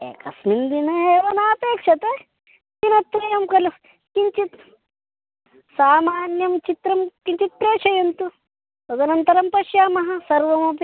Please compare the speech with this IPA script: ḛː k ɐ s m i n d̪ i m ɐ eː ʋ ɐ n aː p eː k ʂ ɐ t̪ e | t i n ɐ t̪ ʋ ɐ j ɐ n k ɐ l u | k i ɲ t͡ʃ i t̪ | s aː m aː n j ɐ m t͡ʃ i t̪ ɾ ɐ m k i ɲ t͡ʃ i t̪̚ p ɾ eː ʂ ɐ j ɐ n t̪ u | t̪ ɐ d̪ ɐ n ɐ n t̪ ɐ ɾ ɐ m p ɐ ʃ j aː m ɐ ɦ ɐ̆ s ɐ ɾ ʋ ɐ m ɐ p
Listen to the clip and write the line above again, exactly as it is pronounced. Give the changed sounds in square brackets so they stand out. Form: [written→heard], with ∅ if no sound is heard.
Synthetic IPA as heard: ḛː k ɐ s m i n d̪ i [m→n] ɐ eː ʋ ɐ n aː p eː k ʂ ɐ t̪ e | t i n ɐ t̪ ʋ ɐ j ɐ [n→m] k ɐ l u | k i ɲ t͡ʃ i t̪ | s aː m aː n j ɐ m t͡ʃ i t̪ ɾ ɐ m k i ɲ t͡ʃ i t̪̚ p ɾ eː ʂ ɐ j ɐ n t̪ u | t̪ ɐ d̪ ɐ n ɐ n t̪ ɐ ɾ ɐ m p ɐ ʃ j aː m ɐ ɦ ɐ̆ s ɐ ɾ ʋ ɐ m ɐ p